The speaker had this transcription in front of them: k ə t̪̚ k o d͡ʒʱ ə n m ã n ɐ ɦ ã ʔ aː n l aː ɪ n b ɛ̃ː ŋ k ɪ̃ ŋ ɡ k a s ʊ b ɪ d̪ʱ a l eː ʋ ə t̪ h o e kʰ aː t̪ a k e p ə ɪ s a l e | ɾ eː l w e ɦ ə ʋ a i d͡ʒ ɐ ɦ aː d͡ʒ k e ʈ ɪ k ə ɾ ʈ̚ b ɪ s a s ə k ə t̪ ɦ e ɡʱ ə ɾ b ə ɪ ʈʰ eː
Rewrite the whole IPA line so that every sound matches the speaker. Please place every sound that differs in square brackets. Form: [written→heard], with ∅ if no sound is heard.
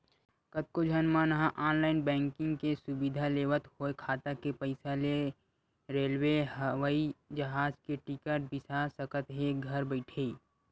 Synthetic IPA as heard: k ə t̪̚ k o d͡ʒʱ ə n m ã n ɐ ɦ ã ʔ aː n l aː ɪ n b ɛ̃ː ŋ k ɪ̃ ŋ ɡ k [a→e] s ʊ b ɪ d̪ʱ a l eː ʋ ə t̪ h o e kʰ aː t̪ a k e p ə ɪ s a l e | ɾ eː l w e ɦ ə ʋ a i d͡ʒ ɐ ɦ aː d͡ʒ k e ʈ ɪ k ə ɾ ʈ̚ b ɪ s a s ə k ə t̪ ɦ e ɡʱ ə ɾ b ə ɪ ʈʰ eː

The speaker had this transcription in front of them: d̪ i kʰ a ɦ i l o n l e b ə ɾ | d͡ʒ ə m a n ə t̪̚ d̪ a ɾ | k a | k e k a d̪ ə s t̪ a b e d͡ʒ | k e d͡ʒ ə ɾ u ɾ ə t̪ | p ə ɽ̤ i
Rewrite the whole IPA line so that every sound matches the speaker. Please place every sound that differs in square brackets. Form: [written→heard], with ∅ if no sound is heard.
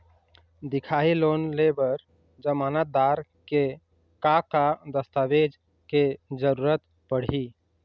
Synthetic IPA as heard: d̪ i kʰ a ɦ i l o n l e b ə ɾ | d͡ʒ ə m a n ə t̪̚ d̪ a ɾ | k [a→e] | k [e→a] k a d̪ ə s t̪ a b e d͡ʒ | k e d͡ʒ ə ɾ u ɾ ə t̪ | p ə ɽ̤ i

